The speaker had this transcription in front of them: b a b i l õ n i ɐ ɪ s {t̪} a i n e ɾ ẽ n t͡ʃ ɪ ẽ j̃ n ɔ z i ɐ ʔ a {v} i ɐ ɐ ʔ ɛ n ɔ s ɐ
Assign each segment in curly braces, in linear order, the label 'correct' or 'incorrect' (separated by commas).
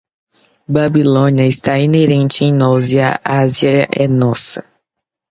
correct, incorrect